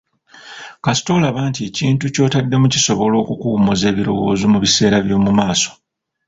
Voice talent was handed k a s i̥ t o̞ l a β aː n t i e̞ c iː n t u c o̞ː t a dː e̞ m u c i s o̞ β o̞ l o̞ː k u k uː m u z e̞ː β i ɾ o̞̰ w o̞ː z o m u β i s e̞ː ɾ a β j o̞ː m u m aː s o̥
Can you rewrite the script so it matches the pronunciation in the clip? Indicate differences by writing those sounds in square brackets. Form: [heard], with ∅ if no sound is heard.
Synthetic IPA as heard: k a s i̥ t o̞ l a β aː n t i e̞ c iː n t u c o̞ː t a dː e̞ m u c i s o̞ β o̞ l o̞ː k u k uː m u z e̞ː β i ɾ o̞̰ w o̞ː z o m u β i s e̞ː ɾ a β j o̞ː m u m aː s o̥